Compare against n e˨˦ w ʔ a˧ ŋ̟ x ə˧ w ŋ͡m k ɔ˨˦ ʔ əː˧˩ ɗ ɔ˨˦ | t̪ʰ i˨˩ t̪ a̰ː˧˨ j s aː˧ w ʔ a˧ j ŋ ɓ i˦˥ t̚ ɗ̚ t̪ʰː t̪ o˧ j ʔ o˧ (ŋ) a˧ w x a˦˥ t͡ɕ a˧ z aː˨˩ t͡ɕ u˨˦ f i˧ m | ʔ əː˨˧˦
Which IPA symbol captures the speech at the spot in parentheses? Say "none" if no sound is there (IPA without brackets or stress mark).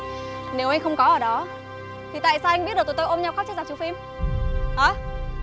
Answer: ɲ